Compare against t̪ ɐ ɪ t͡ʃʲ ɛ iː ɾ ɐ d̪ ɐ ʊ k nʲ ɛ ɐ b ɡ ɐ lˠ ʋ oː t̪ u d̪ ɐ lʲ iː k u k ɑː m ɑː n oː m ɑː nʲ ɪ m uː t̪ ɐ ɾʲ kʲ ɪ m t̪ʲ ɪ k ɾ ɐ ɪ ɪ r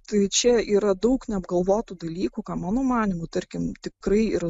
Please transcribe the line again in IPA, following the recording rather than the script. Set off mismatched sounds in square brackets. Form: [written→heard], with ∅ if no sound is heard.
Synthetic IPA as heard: t̪ ɐ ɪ t͡ʃʲ ɛ iː ɾ ɐ d̪ ɐ ʊ k nʲ ɛ ɐ b ɡ ɐ lˠ ʋ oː t̪ u d̪ ɐ lʲ iː k u k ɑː m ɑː n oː m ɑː nʲ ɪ m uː t̪ ɐ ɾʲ kʲ ɪ m t̪ʲ ɪ k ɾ ɐ ɪ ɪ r